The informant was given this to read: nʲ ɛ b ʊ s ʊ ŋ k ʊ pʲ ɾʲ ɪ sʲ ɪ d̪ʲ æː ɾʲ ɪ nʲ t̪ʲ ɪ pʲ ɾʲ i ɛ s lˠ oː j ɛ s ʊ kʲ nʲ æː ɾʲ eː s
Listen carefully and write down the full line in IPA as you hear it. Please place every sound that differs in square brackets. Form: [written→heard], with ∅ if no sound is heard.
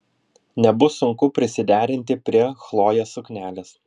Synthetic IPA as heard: nʲ ɛ b ʊ s ʊ ŋ k ʊ pʲ ɾʲ ɪ sʲ ɪ d̪ʲ æː ɾʲ ɪ nʲ t̪ʲ ɪ pʲ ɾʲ i ɛ [s→x] lˠ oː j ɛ s ʊ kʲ nʲ æː [ɾʲ→lʲ] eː s

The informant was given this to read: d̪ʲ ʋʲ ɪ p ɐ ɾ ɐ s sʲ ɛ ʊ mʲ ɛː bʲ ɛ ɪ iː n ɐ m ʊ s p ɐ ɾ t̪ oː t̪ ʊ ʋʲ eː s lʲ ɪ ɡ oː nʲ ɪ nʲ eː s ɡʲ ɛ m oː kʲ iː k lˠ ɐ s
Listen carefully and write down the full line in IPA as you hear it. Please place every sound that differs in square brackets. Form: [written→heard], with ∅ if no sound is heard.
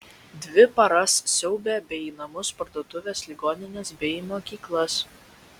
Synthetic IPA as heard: d̪ʲ ʋʲ ɪ p ɐ ɾ ɐ s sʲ ɛ ʊ [mʲ→bʲ] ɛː bʲ ɛ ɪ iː n ɐ m ʊ s p ɐ ɾ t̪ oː t̪ ʊ ʋʲ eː s lʲ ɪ ɡ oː nʲ ɪ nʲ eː s [ɡʲ→bʲ] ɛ m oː kʲ iː k lˠ ɐ s

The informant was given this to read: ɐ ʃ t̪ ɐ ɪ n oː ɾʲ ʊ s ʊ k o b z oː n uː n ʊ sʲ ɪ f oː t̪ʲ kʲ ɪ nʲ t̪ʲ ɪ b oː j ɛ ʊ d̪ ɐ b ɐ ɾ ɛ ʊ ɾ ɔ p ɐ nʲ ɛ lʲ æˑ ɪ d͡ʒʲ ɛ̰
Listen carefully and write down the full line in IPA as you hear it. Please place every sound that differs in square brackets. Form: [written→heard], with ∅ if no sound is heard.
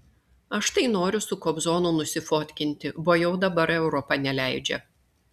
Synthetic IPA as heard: ɐ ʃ t̪ ɐ ɪ n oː ɾʲ ʊ s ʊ k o b z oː n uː n ʊ sʲ ɪ f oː t̪ʲ kʲ ɪ nʲ t̪ʲ ɪ b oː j ɛ ʊ d̪ ɐ b ɐ ɾ ɛ ʊ ɾ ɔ p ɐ nʲ ɛ lʲ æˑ ɪ d͡ʒʲ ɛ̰

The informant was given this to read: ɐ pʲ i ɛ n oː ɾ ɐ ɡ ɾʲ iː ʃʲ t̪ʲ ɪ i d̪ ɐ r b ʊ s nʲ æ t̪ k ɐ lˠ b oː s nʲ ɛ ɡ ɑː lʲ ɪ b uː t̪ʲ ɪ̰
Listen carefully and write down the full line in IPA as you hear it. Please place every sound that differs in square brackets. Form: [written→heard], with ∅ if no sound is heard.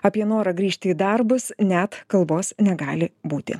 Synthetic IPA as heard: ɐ pʲ i ɛ n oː ɾ ɐ ɡ ɾʲ iː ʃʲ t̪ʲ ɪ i d̪ ɐ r b ʊ s nʲ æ t̪ k ɐ lˠ b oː s nʲ ɛ ɡ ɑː lʲ ɪ b uː t̪ʲ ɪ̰

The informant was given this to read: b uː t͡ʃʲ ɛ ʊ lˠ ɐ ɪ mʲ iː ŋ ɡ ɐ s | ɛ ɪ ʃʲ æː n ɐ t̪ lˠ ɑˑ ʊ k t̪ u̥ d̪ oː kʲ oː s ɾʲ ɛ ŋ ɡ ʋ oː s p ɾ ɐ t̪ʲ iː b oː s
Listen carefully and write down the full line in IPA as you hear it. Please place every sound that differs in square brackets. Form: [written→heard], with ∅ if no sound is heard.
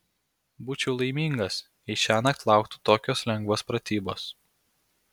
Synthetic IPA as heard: b uː t͡ʃʲ ɛ ʊ lˠ ɐ ɪ mʲ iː ŋ ɡ ɐ s | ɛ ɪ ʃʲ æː n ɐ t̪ lˠ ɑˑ ʊ k t̪ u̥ [d̪→t̪] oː kʲ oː s [ɾʲ→lʲ] ɛ ŋ ɡ ʋ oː s p ɾ ɐ t̪ʲ iː b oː s

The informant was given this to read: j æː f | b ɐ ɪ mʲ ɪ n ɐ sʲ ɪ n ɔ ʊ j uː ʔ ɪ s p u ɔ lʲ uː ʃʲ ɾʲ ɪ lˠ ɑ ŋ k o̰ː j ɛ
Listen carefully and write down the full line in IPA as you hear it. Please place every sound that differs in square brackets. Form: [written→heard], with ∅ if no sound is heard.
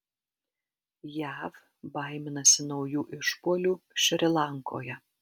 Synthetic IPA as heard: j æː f | b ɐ ɪ mʲ ɪ n ɐ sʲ ɪ n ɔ ʊ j uː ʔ ɪ [s→ʃ] p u ɔ lʲ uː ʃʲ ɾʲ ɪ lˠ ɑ ŋ k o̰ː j ɛ

